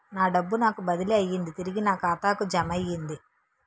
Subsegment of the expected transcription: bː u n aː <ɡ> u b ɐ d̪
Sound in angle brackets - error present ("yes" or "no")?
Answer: yes